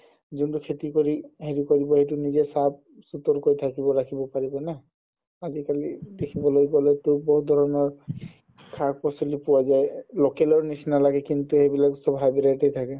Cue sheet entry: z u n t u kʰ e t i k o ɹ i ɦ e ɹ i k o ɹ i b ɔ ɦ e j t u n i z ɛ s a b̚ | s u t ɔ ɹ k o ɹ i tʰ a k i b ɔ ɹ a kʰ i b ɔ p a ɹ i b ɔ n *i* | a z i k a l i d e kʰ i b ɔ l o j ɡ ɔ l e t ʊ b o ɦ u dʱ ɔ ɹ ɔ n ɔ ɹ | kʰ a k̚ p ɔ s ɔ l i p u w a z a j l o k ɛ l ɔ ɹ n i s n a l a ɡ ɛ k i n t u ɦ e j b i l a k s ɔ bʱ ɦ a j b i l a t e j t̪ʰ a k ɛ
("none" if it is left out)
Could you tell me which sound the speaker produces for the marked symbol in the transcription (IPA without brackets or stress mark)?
a